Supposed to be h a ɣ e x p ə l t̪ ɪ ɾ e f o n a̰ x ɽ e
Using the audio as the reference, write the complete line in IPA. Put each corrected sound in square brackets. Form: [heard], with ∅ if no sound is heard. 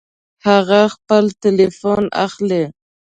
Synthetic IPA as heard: h a ɣ [a] x p ə l t̪ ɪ [l] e f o n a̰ x [l] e

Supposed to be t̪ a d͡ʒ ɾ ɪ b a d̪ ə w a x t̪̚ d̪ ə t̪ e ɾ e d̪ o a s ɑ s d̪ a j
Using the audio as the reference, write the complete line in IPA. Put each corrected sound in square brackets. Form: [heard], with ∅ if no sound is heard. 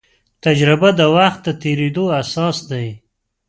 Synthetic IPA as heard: t̪ a d͡ʒ ɾ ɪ b a d̪ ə w a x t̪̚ d̪ ə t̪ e ɾ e d̪ o a s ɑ s d̪ a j

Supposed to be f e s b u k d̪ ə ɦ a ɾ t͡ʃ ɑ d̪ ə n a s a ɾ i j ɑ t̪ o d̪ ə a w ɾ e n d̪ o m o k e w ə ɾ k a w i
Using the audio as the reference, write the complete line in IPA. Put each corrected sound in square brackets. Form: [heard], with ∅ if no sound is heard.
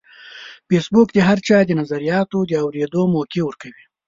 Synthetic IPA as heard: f e s b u k d̪ ə ɦ a ɾ t͡ʃ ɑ d̪ ə n a [z] a ɾ i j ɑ t̪ o d̪ ə a w ɾ e [∅] d̪ o m o k e w ə ɾ k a w i

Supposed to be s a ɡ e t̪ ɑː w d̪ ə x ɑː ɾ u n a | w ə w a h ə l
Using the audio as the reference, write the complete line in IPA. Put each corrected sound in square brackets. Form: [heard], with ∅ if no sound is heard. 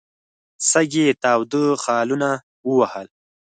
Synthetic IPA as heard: s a ɡ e t̪ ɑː w d̪ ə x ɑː [l] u n a | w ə w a h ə l

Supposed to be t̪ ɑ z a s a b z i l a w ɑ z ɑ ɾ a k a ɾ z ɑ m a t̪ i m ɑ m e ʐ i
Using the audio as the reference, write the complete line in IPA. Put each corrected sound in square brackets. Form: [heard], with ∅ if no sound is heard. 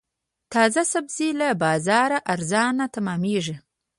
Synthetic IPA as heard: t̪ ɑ z a s a b z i l a [b] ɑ z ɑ ɾ a [ʔ] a ɾ z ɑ [n] a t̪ [a] m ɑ m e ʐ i

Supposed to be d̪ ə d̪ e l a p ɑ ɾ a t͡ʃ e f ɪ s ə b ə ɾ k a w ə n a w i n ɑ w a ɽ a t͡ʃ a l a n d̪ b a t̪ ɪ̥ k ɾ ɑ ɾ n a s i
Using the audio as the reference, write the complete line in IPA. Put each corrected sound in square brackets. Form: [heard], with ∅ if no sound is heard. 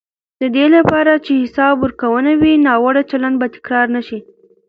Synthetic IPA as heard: d̪ ə d̪ e l a p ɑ ɾ a t͡ʃ e [h] ɪ s [ɑ] b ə ɾ k a w ə n a w i n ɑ w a ɽ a t͡ʃ a l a n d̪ b a t̪ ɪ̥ k ɾ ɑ ɾ n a [ʃ] i

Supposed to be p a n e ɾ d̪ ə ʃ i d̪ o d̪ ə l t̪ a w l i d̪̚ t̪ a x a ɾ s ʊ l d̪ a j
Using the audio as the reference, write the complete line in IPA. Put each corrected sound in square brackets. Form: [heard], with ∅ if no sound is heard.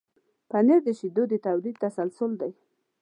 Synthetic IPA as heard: p a n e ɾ d̪ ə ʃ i d̪ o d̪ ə [∅] t̪ a w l i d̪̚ t̪ a [s] a [l] s ʊ l d̪ a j

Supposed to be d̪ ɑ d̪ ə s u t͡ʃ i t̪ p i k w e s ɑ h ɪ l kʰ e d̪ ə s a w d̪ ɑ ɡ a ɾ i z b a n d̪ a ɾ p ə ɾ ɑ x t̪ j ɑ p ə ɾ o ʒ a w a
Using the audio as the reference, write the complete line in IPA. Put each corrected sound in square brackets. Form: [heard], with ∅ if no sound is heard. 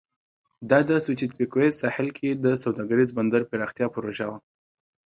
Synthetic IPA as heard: d̪ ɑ d̪ ə s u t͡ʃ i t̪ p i k w e s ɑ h ɪ l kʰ e d̪ ə s a w d̪ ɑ ɡ a ɾ i z b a n d̪ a ɾ p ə ɾ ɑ x t̪ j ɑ p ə ɾ o ʒ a w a

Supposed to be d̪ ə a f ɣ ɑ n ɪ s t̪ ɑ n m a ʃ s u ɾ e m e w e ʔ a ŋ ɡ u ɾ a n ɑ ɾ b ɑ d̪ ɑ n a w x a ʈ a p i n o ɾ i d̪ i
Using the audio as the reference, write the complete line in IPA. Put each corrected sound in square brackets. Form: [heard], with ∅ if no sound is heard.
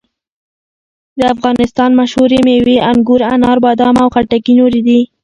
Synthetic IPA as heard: d̪ ə a f ɣ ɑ n ɪ s t̪ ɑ n m a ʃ [h] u ɾ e m e w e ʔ a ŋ ɡ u ɾ a n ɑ ɾ b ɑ d̪ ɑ [m] a w x a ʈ a [k] i n o ɾ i d̪ i

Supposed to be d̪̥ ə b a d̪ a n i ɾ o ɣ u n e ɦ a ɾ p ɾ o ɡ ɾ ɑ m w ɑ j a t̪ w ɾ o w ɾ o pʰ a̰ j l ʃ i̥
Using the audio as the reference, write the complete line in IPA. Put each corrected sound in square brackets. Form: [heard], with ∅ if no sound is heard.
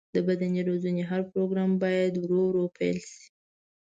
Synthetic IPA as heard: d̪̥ ə b a d̪ a n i ɾ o [z] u n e ɦ a ɾ p ɾ o ɡ ɾ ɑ m [b] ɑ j a [d̪] w ɾ o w ɾ o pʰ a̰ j l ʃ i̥

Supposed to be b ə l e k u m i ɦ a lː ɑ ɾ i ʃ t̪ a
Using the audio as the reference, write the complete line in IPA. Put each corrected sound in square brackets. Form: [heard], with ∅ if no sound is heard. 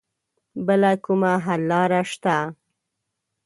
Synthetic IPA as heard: b ə l [a] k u m [a] ɦ a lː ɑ ɾ [a] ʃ t̪ a

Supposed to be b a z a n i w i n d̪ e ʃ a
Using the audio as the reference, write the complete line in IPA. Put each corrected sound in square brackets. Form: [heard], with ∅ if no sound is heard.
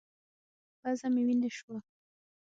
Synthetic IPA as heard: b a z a [m] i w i n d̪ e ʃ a

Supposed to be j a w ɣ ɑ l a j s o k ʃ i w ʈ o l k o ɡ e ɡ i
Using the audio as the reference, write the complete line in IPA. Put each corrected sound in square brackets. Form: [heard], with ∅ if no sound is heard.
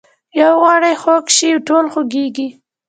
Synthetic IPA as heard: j a w ɣ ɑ [ɽ] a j [x] o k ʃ i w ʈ o l [x] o ɡ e ɡ i

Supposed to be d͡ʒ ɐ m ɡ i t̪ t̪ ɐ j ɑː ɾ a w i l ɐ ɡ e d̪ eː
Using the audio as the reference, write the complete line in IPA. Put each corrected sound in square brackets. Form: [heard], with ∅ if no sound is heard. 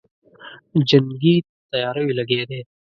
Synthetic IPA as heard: d͡ʒ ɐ [ŋ] ɡ i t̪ t̪ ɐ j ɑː ɾ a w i l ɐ ɡ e d̪ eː

